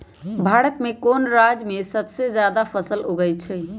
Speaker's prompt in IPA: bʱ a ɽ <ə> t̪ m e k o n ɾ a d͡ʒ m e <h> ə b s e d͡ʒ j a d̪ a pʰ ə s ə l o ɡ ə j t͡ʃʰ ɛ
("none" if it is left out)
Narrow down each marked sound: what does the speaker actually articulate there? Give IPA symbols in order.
ə, s

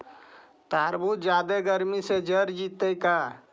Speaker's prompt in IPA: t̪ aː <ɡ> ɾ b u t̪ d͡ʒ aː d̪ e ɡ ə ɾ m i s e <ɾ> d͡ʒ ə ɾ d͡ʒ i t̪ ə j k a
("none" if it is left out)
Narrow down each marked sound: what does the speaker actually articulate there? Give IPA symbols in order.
none, none

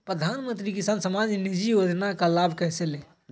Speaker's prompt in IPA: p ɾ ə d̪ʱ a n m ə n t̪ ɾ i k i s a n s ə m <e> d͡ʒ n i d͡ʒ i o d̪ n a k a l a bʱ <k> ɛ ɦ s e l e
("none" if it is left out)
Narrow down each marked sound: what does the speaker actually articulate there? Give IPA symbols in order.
a, k

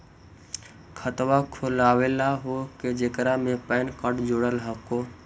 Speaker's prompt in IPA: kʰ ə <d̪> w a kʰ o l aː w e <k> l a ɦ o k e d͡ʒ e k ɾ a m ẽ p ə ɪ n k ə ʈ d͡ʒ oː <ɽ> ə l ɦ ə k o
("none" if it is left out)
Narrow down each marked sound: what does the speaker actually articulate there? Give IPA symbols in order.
t̪, none, ɽ

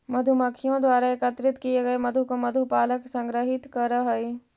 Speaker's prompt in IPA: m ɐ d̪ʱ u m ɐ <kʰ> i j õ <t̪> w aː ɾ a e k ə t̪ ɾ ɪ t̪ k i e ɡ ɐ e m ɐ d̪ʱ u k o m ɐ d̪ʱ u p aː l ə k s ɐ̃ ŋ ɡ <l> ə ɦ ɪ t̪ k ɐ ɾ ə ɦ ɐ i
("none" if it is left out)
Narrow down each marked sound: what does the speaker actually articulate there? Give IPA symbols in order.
kʰ, d̪, ɾ

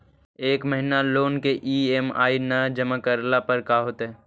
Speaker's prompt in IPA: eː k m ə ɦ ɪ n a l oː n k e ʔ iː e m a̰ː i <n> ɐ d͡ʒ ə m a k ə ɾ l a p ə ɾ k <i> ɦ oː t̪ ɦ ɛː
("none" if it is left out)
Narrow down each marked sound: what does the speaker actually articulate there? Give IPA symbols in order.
n, a

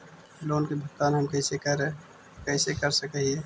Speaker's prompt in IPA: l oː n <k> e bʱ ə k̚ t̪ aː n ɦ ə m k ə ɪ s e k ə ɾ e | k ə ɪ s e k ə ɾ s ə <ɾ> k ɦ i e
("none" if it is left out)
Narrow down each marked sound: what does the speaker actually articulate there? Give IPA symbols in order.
k, none

